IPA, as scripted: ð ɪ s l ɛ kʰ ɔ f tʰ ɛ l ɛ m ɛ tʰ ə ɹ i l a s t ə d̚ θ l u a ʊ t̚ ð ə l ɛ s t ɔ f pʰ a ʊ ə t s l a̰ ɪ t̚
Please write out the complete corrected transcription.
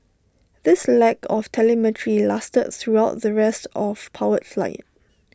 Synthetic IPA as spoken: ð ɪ s l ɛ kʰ ɔ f tʰ ɛ l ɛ m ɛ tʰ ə ɹ i l a s t ə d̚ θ ɹ u a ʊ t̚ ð ə ɹ ɛ s t ɔ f pʰ a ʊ ə t f l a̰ ɪ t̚